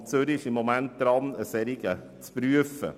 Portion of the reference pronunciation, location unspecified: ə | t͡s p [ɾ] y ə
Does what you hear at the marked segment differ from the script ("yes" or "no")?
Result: no